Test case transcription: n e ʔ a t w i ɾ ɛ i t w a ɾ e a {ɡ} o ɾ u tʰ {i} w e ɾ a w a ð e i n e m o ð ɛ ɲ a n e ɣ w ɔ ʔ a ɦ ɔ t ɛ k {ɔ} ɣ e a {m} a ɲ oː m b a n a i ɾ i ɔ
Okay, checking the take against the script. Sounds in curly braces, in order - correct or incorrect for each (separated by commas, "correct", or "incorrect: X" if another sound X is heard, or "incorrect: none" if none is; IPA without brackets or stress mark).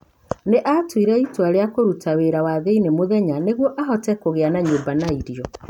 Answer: incorrect: k, incorrect: a, incorrect: o, incorrect: n